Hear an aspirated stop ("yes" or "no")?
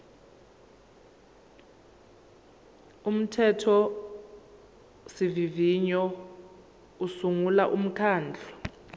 yes